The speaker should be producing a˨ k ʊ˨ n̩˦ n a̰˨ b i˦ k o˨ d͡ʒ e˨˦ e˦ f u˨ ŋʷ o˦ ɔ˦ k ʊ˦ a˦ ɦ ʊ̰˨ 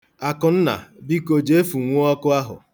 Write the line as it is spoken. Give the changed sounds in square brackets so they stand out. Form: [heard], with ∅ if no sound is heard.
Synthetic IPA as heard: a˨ k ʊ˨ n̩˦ n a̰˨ b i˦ k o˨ d͡ʒ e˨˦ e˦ f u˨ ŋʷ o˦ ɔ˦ k ʊ˦ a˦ ɦ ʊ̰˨